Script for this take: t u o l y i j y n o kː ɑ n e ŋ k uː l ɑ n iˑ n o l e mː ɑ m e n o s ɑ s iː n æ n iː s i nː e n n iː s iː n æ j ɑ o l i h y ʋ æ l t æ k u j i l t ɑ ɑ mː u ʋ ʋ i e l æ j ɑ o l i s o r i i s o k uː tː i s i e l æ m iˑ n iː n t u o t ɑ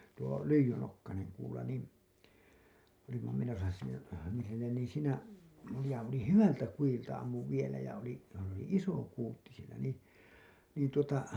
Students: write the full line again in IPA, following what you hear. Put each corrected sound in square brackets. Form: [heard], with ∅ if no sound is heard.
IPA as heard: t u o l y i j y n o kː ɑ n e ŋ k uː l ɑ n iˑ n o l [i] mː ɑ m e n o s ɑ s iː n æ n iː s i nː e n n iː s iː n æ j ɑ o l i h y ʋ æ l t æ k u j i l t ɑ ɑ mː u ʋ ʋ i e l æ j ɑ o l i s o [l] i i s o k uː tː i s i e l æ [n] iˑ n iː n t u o t ɑ

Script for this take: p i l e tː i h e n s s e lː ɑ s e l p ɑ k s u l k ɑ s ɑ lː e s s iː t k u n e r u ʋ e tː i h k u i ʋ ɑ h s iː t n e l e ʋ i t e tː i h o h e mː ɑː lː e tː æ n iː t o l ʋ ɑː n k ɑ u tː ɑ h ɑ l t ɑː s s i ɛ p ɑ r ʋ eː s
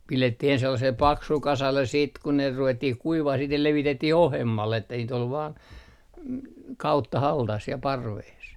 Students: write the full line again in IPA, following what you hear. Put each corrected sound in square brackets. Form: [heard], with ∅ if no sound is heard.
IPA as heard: p i l e tː i h e n s s e lː ɑ s e l p ɑ k s u l k ɑ s ɑ lː e s s iː t k u n e r u ʋ e tː i h k u i ʋ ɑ h s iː t n e l e ʋ i t e tː i h o h e mː [ɑ] lː e tː æ n iː t o l ʋ ɑː n k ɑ u tː ɑ h ɑ l t [ɑ] s s i ɛ p ɑ r ʋ eː s

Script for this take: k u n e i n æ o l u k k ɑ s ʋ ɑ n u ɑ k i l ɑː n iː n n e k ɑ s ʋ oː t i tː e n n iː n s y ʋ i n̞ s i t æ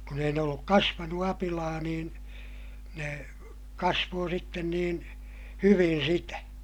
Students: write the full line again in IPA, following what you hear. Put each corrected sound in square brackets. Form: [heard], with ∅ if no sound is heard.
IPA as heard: k u n e i n [e] o [lː] u k k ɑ s ʋ ɑ n u ɑ [p] i l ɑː n iː n n e k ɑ s ʋ oː [s] i tː e n n iː n [h] y ʋ i n̞ s i t æ

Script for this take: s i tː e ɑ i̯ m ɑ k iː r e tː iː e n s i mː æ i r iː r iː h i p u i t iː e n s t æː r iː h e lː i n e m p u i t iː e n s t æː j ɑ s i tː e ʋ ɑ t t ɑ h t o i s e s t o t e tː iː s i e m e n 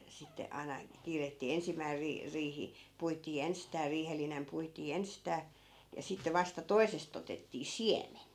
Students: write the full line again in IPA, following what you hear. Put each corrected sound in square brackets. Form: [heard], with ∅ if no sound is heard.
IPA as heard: s i tː e ɑ i̯ [n] ɑ k iː r e tː iː e n s i mː æ i r iː r iː h i p u i t iː e n s t æː r iː h e lː i n e m p u i t iː e n s t æː j ɑ s i tː e ʋ ɑ [s] t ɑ [∅] t o i s e s t o t e tː iː s i e m e n

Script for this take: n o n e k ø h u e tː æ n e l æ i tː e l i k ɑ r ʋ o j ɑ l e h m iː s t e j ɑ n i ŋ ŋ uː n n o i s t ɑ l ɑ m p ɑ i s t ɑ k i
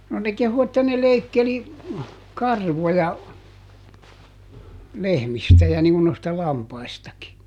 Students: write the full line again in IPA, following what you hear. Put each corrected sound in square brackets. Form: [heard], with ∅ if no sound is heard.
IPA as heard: n o n e k [e] h u e tː æ n e l [e] i [kː] e l i k ɑ r ʋ o j ɑ l e h m [i] s t [æ] j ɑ n i ŋ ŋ [u] n n o i s t ɑ l ɑ m p ɑ i s t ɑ k i

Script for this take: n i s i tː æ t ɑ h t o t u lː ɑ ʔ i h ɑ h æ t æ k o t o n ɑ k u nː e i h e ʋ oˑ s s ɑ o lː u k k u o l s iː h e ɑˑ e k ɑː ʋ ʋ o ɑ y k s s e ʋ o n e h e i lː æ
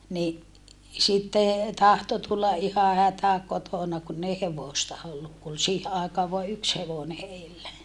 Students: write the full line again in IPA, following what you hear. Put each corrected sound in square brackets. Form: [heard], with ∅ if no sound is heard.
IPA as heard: n i s i tː [e] t ɑ h t o t u lː ɑ ʔ i h ɑ h æ t æ k o t o n ɑ k u nː e i h e ʋ oˑ s [t] ɑ o lː u k k u o l s iː h e ɑˑ e k ɑː ʋ ʋ o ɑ y k s [h] e ʋ o n e h e i lː æ

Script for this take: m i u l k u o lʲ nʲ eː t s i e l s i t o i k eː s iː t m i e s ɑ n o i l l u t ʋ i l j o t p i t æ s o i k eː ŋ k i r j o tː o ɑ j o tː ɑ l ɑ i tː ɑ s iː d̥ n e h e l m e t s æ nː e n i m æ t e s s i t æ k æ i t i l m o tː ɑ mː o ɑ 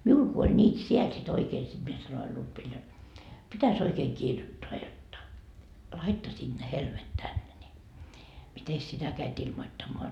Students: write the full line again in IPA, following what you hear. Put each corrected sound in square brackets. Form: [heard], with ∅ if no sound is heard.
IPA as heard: m i u l k u o lʲ nʲ [iː] t s i e l s i t o i k eː s [i] t m i e s ɑ n o i l l u t ʋ i l j o t p i t æ s o i k eː ŋ k i r j o tː o ɑ j o tː ɑ l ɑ i tː ɑ s iː d̥ n e h e l m e t [t] æ nː e n i m [i] t e s s i t æ k æ i t i l m o tː ɑ mː o ɑ

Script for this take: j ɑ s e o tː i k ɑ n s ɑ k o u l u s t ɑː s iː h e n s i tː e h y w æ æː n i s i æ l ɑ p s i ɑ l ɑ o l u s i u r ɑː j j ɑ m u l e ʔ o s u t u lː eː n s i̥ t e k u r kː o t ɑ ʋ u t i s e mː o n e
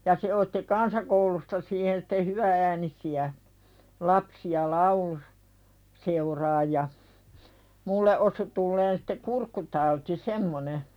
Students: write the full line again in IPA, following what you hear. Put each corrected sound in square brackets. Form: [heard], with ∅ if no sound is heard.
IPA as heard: j ɑ s e o tː i k ɑ n s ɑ k o u l u s t [ɑ] s iː h e n s i tː e h y [ʋ] æ æː n i s i æ l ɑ p s i ɑ l ɑ [u] l u s [e] u r ɑː j j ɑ m u [lː] e ʔ o s u t u lː eː n s i̥ t e k u r kː [u] t ɑ [∅] u t i s e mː o n e

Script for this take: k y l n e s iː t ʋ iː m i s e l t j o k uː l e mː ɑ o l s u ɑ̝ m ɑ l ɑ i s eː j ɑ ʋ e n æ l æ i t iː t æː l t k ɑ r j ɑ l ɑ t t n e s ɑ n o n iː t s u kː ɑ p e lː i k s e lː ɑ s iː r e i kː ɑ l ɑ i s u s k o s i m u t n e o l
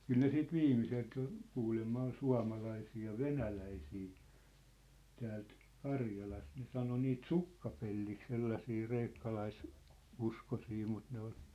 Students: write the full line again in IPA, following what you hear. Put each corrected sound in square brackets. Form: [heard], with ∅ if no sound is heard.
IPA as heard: k y l n e s iː t ʋ iː m i s e l t j o k uː l e mː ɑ o l s u ɑ̝ m ɑ l ɑ i s [iː] j ɑ ʋ e n æ l æ i [s] iː t æː l t k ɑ r j ɑ l ɑ [s] t n e s ɑ n o n iː t s u kː ɑ p e lː i k s e lː ɑ s iː r e i kː ɑ l ɑ i s u s k o s i m u t n e o l

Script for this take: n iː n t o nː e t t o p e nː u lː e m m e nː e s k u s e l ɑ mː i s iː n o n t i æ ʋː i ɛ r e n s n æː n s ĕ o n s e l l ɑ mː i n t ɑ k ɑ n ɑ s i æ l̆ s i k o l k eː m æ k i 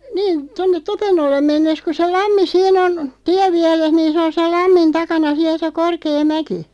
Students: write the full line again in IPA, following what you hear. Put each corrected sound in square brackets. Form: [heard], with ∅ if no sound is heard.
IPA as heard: n iː n t o nː e t t o p e nː [o] lː e m m e nː e s k u s e l ɑ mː i s iː n o n t i æ ʋː i ɛ r e [∅] s n [iː] n s ĕ o n s e l l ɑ mː i n t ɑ k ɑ n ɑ s i æ l̆ s [e] k o [r] k eː m æ k i

